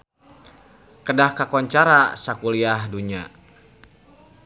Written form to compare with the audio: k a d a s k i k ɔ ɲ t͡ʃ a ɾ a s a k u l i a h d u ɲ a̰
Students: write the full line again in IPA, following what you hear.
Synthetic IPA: k ə d a h k a k ɔ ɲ t͡ʃ a ɾ a s a k u l i a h d u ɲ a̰